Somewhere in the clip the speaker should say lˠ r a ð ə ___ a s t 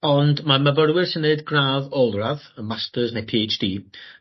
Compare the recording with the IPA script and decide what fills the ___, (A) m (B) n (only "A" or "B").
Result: A